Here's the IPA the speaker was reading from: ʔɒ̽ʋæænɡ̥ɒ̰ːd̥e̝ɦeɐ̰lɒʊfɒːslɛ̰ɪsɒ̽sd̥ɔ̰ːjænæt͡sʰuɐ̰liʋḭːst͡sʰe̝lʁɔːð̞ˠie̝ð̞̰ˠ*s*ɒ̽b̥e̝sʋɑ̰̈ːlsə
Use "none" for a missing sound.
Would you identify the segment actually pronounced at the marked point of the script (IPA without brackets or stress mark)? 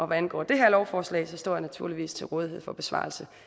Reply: f